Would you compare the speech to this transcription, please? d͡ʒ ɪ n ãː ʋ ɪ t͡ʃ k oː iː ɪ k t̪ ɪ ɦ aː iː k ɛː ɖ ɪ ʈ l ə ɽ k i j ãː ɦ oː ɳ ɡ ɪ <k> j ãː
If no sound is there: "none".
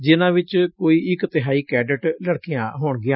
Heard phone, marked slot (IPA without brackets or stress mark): none